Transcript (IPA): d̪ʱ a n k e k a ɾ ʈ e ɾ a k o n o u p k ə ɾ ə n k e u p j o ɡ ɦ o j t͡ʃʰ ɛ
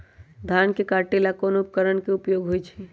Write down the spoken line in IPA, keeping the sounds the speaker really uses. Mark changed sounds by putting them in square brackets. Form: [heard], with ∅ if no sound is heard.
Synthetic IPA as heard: d̪ʱ a n k e k a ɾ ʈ e [l] a k o n o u p k ə ɾ ə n k e u p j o ɡ ɦ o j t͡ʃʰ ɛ